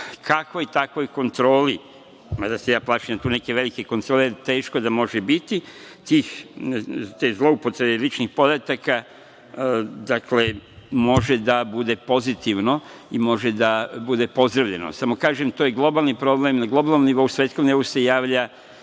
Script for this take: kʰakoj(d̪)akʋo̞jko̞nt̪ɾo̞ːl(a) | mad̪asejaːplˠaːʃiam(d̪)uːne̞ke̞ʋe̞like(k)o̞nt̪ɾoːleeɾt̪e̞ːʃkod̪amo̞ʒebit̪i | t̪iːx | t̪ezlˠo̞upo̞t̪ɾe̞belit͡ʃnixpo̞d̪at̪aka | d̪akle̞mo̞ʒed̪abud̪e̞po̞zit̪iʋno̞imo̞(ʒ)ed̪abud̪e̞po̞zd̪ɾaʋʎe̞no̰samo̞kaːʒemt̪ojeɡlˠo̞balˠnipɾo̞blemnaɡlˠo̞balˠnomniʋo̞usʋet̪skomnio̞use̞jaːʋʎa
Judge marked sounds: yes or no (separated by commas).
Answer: no, no, no, yes, yes